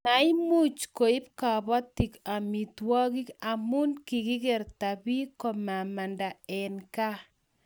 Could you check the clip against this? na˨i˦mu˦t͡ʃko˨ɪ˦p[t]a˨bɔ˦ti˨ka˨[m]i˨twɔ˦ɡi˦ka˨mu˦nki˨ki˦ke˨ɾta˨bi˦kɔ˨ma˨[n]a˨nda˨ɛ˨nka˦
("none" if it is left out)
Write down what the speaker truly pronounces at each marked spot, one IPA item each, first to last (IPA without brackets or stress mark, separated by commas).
k, m, m